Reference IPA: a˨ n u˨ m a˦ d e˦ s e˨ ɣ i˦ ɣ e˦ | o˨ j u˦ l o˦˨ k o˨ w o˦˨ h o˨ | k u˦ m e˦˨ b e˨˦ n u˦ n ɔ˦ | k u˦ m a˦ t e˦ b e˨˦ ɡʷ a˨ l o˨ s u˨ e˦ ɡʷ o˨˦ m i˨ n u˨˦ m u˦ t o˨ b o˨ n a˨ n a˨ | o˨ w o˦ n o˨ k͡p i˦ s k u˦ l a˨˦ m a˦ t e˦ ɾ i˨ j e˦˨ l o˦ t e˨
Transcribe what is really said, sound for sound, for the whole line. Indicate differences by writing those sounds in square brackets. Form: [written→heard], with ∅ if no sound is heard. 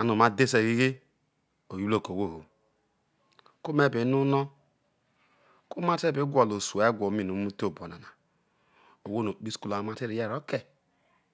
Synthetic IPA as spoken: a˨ n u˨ m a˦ d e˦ s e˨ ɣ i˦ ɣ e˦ | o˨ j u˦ l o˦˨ k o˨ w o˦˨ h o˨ | k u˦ m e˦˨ b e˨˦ n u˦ n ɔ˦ | k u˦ m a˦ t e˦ b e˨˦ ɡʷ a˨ l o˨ s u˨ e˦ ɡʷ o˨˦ m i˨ n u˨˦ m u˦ t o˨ b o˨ n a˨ n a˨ | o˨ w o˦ n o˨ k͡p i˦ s k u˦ l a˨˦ m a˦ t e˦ ɾ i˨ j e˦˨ [l→ɾ] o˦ [t→k] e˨

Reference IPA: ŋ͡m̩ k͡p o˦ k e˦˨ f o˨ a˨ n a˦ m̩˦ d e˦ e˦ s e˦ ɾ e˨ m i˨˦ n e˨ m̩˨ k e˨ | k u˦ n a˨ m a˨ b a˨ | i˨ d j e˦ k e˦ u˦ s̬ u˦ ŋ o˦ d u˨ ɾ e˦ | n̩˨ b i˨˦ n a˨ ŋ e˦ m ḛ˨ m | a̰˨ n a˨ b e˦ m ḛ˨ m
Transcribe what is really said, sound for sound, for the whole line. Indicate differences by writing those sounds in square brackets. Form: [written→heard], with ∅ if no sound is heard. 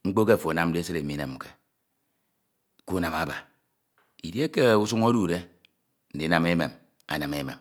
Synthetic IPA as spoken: ŋ͡m̩ k͡p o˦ k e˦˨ f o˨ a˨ n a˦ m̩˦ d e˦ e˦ s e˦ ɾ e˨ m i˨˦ n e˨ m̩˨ k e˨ | k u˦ n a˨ m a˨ b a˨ | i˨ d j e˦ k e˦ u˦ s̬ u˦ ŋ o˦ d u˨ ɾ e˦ | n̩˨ [b→d] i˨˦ n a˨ [ŋ→m] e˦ m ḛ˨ m | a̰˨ n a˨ [b→m] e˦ m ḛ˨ m

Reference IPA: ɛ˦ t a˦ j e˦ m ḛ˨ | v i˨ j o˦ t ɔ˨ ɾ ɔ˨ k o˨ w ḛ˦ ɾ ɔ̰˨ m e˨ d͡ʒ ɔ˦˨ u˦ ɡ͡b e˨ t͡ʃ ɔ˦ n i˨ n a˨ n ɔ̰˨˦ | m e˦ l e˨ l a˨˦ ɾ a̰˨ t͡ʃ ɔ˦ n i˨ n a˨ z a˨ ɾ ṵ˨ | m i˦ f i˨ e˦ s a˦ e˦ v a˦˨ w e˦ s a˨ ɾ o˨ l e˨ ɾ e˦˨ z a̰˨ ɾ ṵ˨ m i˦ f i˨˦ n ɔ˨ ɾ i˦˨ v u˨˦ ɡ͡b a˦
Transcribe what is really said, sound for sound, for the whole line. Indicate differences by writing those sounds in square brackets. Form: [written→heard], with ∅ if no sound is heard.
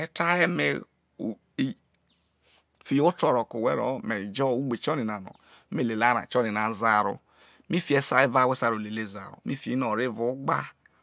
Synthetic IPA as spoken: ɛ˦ t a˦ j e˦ m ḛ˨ | [v→f] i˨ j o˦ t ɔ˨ ɾ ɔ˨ k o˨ w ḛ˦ ɾ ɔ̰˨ m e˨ d͡ʒ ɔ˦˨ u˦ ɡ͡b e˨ t͡ʃ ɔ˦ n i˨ n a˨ n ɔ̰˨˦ | m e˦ l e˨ l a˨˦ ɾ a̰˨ t͡ʃ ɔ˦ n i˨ n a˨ z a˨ ɾ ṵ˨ | m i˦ f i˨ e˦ s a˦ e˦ v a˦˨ w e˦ s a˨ ɾ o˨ l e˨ [ɾ→l] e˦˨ z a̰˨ ɾ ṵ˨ m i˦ f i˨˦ n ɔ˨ ɾ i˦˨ v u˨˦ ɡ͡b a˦

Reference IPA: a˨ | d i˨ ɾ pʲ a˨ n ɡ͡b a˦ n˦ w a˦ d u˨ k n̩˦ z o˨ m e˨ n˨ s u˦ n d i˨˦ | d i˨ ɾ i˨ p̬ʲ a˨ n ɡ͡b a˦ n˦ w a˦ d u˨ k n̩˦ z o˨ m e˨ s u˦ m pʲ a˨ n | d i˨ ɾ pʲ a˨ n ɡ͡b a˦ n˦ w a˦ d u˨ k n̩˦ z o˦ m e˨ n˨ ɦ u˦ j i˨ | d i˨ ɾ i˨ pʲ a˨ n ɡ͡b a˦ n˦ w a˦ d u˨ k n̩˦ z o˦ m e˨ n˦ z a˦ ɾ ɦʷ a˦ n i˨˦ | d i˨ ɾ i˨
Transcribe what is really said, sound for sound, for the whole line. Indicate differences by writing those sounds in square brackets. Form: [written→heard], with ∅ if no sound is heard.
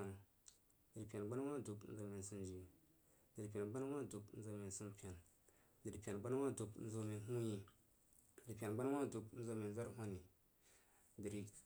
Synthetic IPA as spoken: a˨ | d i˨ ɾ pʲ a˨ n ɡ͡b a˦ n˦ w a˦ d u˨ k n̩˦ z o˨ m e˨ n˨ s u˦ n [d→d͡ʒ] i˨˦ | d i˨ ɾ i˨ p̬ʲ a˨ n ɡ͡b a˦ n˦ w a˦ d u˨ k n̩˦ z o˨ m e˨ s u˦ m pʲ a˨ n | d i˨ ɾ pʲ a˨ n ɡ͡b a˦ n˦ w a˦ d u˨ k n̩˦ z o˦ m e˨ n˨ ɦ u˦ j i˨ | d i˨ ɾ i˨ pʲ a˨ n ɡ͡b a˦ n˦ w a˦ d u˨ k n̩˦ z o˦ m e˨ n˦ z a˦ ɾ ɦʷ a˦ n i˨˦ | d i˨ ɾ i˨

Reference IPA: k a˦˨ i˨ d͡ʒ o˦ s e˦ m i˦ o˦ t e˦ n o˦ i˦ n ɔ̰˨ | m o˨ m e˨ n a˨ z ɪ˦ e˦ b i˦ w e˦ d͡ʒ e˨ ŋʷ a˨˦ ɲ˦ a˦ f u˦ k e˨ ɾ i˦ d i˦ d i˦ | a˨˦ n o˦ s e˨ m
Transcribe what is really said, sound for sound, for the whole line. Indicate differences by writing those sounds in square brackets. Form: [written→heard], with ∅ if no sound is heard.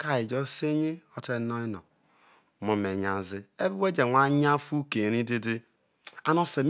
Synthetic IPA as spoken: k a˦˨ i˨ d͡ʒ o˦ s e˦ [m→ɲ] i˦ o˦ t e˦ n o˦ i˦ n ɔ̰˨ | m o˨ m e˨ [n→ɲ] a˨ z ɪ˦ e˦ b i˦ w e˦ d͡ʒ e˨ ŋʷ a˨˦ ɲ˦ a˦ f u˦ k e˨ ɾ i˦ d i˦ d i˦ | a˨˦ n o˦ s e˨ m

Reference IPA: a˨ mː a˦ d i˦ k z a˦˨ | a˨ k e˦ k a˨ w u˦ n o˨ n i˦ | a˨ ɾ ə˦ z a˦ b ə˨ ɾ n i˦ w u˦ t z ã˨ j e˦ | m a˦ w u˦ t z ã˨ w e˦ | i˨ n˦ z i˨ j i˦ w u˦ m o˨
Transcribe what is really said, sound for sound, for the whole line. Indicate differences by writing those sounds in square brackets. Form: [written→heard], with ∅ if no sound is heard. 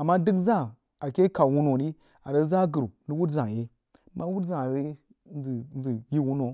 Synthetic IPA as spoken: a˨ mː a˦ d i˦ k z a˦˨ | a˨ k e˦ k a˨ w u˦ n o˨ n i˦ | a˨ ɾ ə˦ z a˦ [b→ɡ] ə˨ ɾ n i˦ w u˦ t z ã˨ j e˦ | m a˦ w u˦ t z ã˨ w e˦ | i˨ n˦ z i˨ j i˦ w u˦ [m→n] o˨

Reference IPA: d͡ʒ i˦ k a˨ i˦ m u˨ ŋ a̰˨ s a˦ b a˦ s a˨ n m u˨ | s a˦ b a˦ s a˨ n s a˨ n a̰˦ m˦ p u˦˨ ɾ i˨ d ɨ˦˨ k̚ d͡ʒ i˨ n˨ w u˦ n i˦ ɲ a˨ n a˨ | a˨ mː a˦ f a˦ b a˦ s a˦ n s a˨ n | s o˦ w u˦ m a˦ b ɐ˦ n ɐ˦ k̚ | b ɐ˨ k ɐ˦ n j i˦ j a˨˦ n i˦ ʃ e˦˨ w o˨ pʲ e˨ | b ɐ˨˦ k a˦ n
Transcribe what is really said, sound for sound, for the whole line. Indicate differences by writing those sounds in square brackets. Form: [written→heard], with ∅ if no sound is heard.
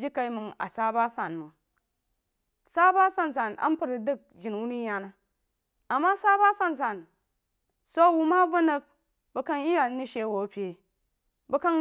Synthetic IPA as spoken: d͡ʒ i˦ k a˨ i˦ m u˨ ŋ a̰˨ s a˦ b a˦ s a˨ n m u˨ | s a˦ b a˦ s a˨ n s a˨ n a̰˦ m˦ p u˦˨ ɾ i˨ d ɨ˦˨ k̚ d͡ʒ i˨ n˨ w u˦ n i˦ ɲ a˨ n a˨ | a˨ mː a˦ [f→s] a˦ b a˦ s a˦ n s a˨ n | s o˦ w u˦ m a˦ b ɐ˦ n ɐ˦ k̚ | b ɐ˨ k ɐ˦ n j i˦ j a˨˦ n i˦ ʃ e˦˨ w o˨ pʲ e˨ | b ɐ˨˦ k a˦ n

